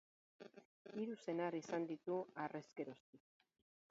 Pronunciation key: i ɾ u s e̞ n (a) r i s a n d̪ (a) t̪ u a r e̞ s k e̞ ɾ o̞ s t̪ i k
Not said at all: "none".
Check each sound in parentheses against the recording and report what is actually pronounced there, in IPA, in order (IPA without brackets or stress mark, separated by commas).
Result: a, i